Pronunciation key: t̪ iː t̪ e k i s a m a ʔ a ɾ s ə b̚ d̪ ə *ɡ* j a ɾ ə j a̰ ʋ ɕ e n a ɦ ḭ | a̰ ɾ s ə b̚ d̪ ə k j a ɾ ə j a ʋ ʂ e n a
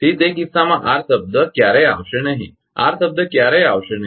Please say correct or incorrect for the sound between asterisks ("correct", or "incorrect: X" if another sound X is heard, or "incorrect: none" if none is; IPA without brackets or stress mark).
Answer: incorrect: k